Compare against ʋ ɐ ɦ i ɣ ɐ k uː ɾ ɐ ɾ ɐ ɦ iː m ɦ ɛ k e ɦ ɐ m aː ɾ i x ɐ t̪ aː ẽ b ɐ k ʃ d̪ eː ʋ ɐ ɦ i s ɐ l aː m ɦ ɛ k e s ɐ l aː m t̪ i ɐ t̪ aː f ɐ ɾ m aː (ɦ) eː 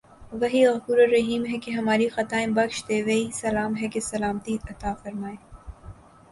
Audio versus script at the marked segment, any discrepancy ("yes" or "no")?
yes